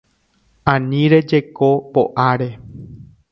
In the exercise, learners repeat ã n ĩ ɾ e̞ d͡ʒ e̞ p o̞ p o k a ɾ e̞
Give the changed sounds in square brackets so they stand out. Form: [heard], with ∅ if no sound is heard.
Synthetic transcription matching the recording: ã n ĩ ɾ e̞ d͡ʒ e̞ [k] o̞ p o [ʔ] a ɾ e̞